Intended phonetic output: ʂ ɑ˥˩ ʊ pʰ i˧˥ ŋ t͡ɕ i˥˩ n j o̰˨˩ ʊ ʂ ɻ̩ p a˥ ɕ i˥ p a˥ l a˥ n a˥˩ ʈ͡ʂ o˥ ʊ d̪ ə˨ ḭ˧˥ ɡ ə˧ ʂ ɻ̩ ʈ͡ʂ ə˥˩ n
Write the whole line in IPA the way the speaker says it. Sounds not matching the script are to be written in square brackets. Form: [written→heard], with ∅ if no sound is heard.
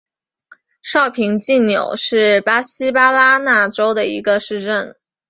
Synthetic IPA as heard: ʂ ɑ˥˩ ʊ pʰ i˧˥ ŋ t͡ɕ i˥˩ n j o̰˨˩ ʊ ʂ ɻ̩ p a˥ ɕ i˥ p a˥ l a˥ n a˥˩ ʈ͡ʂ o˥ ʊ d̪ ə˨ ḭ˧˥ ɡ ə˧ ʂ ɻ̩ ʈ͡ʂ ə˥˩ n

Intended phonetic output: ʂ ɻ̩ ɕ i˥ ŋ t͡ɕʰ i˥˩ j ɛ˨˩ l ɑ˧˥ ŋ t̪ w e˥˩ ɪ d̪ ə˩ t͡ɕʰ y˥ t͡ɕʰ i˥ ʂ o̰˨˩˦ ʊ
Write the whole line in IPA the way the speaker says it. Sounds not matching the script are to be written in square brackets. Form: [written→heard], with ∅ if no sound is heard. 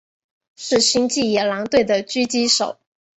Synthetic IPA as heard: ʂ ɻ̩ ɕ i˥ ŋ [t͡ɕʰ→t͡ɕ] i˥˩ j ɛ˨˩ l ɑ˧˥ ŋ t̪ w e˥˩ ɪ d̪ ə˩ [t͡ɕʰ→t͡ɕ] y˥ [t͡ɕʰ→t͡ɕ] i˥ ʂ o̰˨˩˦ ʊ

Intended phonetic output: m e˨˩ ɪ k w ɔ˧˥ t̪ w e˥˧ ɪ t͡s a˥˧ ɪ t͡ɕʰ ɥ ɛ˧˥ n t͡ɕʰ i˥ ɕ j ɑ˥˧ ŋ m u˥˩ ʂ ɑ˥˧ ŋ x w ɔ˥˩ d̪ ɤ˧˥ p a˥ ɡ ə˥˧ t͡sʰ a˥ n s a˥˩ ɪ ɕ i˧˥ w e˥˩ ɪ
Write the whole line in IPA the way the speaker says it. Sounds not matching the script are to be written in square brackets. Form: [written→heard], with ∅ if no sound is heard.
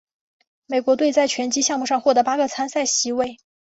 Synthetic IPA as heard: m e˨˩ ɪ k w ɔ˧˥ t̪ w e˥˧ ɪ t͡s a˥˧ ɪ t͡ɕʰ ɥ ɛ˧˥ n [t͡ɕʰ→t͡ɕ] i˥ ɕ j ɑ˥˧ ŋ m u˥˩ ʂ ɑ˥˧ ŋ x w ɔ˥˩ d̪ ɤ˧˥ p a˥ ɡ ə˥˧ t͡sʰ a˥ n s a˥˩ ɪ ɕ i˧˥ w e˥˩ ɪ

